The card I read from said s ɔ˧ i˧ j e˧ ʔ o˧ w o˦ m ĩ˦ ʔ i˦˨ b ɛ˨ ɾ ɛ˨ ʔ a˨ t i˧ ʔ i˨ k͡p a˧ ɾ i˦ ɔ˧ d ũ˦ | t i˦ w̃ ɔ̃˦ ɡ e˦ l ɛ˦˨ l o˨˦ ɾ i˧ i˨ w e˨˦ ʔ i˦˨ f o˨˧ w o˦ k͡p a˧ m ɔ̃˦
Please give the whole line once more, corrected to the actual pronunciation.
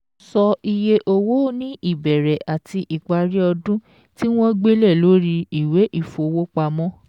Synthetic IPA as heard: s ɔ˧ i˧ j e˧ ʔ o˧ w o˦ n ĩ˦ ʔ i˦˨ b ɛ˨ ɾ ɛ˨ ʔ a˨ t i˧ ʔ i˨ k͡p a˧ ɾ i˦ ɔ˧ d ũ˦ | t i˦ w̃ ɔ̃˦ ɡ͡b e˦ l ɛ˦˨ l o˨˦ ɾ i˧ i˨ w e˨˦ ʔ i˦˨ f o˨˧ w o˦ k͡p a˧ m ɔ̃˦